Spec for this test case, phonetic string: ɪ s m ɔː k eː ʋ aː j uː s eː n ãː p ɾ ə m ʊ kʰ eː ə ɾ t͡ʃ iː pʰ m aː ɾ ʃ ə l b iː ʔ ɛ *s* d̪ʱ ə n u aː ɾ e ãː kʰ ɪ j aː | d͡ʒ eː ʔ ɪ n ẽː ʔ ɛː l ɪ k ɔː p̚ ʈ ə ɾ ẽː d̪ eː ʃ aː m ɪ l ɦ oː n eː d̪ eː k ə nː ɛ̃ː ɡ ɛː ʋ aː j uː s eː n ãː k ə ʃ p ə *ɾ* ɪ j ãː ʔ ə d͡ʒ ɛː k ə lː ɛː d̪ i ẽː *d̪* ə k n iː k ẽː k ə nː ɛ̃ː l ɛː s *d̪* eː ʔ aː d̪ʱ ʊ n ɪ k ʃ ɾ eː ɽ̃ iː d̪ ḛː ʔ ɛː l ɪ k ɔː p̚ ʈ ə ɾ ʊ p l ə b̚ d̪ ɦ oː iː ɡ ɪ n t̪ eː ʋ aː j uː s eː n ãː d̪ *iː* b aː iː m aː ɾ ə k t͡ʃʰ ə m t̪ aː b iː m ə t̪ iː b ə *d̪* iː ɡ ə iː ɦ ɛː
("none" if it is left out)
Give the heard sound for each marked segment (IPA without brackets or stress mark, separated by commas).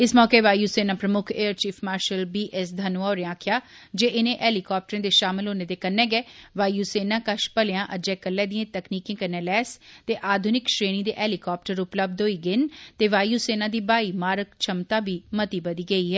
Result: s, l, t̪, t̪, iː, d̪